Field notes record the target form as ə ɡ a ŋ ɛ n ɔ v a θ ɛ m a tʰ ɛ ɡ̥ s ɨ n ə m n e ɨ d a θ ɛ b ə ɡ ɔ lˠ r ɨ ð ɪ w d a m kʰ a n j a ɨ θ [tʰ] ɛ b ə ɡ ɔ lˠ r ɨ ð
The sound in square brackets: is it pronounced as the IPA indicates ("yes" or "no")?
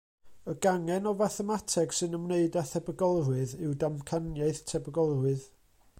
yes